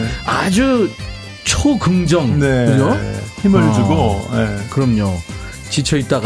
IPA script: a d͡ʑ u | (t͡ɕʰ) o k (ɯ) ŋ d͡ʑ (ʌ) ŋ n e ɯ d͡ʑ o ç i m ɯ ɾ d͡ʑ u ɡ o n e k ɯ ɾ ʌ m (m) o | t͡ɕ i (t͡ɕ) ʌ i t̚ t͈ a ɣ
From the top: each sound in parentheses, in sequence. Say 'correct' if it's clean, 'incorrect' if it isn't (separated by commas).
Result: correct, correct, correct, incorrect, incorrect